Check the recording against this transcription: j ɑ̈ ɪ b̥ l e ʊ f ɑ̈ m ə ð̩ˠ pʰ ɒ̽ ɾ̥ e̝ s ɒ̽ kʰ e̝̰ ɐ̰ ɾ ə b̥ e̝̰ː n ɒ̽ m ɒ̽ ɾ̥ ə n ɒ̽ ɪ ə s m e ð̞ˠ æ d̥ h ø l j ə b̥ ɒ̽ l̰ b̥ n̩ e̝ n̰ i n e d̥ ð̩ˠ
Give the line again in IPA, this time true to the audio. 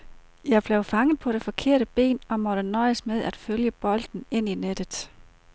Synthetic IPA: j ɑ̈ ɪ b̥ l e ʊ f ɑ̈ ŋ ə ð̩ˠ pʰ ɒ̽ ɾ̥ e̝ f ɒ̽ kʰ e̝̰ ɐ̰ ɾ ə b̥ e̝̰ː n ɒ̽ m ɒ̽ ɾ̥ ə n ɒ̽ ɪ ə s m e ð̞ˠ æ d̥ f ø l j ə b̥ ɒ̽ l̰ d̥ n̩ e̝ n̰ i n e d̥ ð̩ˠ

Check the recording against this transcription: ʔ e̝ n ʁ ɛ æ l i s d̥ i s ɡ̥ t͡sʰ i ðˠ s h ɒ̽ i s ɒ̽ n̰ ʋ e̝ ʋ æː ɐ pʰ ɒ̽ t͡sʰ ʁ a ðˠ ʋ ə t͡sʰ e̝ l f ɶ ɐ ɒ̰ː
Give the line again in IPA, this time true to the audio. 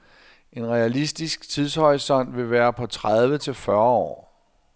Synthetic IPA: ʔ e̝ n ʁ ɛ æ l i s d̥ i s ɡ̥ t͡sʰ i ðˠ s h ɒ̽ ɪ s ɒ̽ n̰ ʋ e̝ ʋ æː ɐ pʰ ɒ̽ t͡sʰ ʁ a ðˠ ʋ ə t͡sʰ e̝ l f ɶ ɐ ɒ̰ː

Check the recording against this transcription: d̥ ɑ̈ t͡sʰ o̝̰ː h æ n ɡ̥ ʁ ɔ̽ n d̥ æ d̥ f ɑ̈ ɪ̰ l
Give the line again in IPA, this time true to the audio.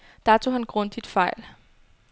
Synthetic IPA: d̥ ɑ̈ t͡sʰ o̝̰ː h æ n ɡ̥ ʁ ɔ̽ n d̥ i d̥ f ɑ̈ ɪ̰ l

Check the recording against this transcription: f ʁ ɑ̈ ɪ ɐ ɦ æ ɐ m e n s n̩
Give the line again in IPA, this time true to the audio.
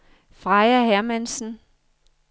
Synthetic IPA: f ʁ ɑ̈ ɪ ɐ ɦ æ ɐ m æ n s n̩

